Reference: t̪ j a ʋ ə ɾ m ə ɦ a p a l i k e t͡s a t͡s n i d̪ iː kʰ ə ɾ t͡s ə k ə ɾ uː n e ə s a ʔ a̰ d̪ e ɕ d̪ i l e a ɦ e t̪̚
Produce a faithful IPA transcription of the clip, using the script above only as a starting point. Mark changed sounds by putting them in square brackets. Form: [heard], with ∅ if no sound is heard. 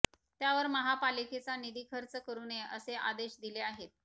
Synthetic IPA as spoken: t̪ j a ʋ ə ɾ m ə ɦ a p a l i k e t͡s a [∅] n i d̪ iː kʰ ə ɾ t͡s ə k ə ɾ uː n e ə s [e] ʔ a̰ d̪ e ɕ d̪ i l e a ɦ e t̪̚